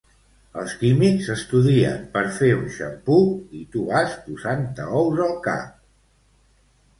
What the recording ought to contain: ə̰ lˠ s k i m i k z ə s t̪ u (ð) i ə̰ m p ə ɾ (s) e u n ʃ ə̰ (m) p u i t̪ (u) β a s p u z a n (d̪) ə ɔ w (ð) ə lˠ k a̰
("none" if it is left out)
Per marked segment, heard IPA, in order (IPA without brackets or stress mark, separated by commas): ð, f, m, u, t̪, z